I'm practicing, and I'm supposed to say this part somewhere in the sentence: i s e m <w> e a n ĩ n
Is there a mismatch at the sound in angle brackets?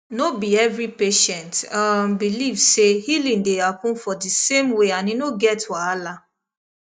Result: no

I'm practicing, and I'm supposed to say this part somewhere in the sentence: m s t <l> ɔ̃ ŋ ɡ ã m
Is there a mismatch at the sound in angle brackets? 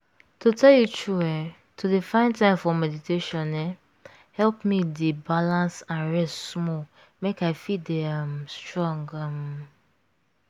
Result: yes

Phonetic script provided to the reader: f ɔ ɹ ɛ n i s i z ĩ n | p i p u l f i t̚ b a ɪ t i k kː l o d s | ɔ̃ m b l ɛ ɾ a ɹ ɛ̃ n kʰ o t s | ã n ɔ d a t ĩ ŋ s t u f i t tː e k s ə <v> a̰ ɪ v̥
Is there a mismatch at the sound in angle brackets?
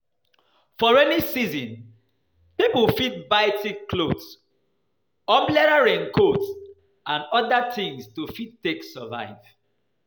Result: no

